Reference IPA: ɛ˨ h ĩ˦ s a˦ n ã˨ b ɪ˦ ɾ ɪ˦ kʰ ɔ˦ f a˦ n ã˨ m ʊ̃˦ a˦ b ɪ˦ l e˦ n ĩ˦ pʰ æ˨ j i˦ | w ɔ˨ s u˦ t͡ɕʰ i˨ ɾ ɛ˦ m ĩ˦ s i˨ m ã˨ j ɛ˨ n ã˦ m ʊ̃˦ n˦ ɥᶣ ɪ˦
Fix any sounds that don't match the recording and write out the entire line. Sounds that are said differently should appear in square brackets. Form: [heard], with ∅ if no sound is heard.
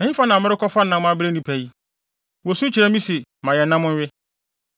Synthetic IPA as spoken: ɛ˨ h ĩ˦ [f] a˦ n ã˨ [m] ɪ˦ ɾ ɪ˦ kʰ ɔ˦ f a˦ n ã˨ m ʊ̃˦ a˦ b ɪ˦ [ɾ] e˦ n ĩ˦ pʰ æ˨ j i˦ | w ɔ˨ s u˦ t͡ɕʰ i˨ ɾ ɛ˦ m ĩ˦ s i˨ m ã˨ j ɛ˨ n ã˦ m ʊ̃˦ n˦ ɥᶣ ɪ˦